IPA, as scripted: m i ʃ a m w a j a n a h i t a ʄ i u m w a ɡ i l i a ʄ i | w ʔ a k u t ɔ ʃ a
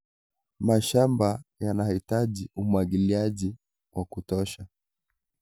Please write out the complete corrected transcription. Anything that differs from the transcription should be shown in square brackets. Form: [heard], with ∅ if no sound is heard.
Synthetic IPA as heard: m [a] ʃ a m [b] a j a n a h i t a ʄ i u m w a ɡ i l i a ʄ i | w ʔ a k u t ɔ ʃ a